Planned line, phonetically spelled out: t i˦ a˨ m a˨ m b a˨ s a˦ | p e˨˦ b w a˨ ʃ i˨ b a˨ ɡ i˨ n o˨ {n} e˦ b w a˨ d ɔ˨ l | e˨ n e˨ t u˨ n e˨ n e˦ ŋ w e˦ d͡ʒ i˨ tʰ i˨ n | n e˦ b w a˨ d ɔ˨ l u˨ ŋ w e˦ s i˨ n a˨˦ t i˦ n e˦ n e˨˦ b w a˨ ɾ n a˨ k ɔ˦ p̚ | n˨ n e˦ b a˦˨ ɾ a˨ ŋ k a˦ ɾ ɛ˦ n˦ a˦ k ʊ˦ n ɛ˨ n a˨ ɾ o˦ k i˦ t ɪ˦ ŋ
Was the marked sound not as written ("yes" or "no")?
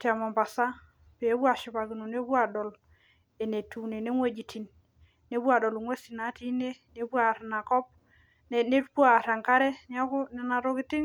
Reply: no